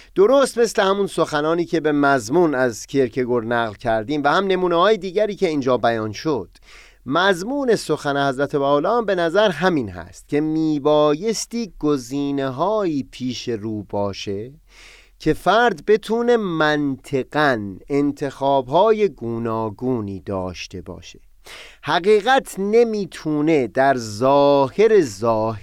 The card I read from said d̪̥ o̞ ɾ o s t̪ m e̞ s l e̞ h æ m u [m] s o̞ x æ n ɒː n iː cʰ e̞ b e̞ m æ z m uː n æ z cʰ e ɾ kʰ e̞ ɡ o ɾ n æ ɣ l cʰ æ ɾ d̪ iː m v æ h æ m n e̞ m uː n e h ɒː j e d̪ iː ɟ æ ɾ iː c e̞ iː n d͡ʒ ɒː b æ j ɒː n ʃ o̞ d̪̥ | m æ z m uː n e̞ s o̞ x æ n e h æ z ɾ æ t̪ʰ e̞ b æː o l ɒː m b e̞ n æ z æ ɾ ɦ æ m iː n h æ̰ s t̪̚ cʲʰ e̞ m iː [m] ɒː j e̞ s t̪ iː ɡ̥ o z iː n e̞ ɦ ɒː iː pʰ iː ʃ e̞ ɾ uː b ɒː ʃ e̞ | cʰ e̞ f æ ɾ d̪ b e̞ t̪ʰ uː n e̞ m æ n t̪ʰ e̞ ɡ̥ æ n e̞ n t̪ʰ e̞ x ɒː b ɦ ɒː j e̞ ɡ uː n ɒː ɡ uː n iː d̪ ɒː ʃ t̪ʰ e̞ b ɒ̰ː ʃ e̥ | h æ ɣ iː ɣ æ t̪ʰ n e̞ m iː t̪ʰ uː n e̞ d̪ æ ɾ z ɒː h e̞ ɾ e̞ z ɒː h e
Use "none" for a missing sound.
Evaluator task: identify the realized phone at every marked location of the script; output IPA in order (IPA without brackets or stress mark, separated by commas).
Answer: n, b